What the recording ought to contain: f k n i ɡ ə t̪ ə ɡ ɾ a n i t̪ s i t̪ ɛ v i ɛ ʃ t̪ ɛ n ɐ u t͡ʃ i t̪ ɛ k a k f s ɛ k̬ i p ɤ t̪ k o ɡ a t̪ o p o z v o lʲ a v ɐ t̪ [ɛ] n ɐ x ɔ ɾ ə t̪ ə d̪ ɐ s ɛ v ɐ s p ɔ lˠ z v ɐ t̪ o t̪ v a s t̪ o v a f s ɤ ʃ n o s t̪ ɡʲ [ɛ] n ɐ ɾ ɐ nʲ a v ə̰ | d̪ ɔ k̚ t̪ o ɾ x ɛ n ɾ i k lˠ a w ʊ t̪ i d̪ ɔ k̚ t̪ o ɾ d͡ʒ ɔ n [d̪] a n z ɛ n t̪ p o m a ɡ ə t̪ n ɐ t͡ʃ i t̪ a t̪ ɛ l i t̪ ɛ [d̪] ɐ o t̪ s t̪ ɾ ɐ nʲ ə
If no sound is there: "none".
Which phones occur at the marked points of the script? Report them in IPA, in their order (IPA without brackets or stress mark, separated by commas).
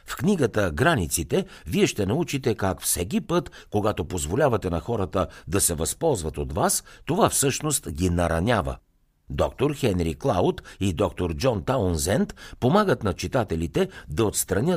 ɛ, i, t̪, d̪